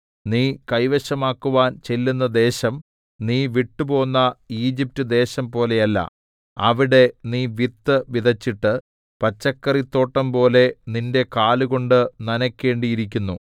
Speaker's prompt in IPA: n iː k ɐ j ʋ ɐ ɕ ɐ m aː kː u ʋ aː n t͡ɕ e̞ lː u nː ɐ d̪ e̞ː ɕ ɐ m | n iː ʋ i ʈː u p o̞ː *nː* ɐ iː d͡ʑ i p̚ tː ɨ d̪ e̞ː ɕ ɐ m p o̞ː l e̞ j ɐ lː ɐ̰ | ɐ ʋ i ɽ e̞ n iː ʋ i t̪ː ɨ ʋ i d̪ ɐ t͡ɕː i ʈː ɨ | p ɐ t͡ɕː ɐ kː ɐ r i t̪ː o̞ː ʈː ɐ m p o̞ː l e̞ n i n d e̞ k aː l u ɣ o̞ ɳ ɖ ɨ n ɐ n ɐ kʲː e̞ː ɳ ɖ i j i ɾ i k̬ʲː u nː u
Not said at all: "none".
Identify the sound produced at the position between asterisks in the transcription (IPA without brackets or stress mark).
nː